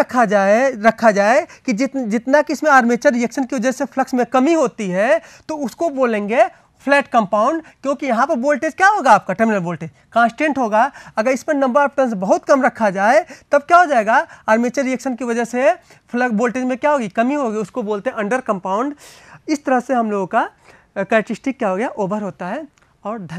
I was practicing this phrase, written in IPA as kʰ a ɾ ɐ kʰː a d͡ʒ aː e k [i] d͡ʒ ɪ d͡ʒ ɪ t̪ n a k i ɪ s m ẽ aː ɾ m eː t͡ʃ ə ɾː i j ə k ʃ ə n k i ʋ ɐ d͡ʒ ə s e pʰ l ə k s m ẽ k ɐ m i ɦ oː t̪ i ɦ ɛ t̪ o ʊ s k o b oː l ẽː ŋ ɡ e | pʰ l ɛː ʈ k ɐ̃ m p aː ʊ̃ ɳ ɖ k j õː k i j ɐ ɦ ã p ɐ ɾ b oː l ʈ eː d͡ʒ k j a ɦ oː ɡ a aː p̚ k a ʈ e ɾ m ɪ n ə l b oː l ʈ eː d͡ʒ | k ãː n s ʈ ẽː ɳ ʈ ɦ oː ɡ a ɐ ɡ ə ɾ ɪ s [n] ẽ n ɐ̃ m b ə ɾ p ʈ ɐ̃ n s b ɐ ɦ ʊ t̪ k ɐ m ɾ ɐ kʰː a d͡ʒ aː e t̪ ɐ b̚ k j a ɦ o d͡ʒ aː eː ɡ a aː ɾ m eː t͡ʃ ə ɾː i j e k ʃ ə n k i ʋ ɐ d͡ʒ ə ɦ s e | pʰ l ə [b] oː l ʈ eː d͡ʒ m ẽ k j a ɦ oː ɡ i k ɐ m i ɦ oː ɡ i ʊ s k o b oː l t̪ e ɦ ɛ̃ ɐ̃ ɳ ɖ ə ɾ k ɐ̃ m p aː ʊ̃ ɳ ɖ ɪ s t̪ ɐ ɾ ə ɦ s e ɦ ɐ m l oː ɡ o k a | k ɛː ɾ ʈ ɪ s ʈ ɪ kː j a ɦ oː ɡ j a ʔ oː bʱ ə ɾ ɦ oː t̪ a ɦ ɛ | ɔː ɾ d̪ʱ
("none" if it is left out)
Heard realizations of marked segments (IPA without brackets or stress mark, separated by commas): i, m, b